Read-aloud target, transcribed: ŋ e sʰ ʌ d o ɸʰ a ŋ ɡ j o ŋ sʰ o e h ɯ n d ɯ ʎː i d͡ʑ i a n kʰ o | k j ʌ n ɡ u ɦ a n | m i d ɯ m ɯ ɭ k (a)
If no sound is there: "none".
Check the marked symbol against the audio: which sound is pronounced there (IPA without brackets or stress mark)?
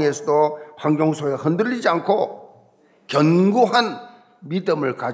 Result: a